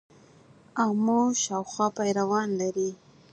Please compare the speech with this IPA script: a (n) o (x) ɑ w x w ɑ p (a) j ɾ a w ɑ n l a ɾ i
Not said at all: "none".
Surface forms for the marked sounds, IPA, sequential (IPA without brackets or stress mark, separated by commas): m, ʃ, a